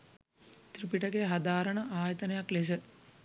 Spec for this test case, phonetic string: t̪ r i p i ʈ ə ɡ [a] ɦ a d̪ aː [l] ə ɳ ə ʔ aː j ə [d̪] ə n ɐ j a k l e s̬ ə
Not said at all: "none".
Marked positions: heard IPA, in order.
e, ɾ, t̪

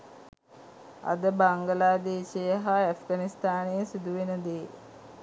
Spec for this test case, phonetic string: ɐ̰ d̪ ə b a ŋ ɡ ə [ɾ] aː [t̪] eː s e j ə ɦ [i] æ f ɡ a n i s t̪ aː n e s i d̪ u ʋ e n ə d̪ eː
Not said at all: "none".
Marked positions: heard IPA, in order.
l, d̪, a

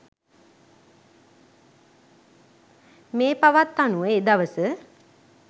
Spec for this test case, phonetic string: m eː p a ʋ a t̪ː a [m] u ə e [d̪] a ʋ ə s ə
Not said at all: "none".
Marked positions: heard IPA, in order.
n, d̪

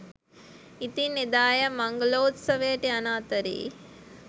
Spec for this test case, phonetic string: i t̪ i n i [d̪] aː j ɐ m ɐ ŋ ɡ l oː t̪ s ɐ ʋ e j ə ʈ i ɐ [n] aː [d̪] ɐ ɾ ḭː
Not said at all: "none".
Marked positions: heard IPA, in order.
d̪, n, t̪

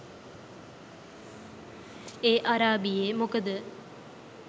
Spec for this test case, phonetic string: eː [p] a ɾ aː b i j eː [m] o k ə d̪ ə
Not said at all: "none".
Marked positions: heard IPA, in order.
ʔ, m

